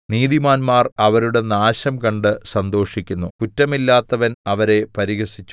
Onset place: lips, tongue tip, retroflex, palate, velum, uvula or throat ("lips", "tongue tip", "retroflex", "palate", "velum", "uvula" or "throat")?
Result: tongue tip